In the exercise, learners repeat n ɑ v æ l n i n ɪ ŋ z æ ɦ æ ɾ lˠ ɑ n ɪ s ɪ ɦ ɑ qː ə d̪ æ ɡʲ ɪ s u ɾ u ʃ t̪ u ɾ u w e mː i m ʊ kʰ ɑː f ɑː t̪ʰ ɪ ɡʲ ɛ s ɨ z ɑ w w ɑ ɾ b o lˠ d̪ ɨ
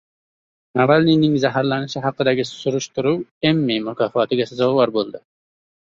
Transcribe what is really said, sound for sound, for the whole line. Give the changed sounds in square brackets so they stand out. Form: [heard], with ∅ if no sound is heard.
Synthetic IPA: n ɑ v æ l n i n ɪ ŋ z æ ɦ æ ɾ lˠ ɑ n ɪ [ʃ] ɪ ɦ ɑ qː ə d̪ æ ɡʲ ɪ s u ɾ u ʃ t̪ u ɾ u w e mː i m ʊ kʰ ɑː f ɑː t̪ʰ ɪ ɡʲ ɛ s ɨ z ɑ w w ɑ ɾ b o lˠ d̪ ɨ